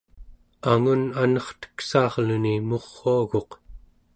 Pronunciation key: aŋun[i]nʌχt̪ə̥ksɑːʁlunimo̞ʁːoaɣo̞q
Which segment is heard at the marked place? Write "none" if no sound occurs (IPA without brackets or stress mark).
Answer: a